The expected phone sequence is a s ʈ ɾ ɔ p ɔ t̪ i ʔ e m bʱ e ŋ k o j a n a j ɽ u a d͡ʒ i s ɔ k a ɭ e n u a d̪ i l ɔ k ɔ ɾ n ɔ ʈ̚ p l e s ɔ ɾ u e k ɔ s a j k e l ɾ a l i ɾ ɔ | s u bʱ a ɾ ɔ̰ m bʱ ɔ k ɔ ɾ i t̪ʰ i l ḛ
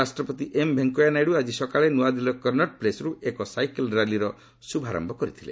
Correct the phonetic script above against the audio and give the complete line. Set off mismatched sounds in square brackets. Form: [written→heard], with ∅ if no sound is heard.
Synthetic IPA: a s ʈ ɾ ɔ p ɔ t̪ i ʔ e m bʱ e ŋ k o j a n a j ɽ u a d͡ʒ i s ɔ k a ɭ e n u a d̪ i l ɔ k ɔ ɾ n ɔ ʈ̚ p l e s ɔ ɾ u e k ɔ s a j k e l ɾ a l i ɾ ɔ | s u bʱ a ɾ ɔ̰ m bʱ ɔ k ɔ ɾ i t̪ʰ i l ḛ